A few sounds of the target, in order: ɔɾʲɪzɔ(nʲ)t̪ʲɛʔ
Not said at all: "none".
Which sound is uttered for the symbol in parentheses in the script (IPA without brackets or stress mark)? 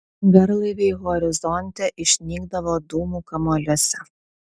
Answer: nʲ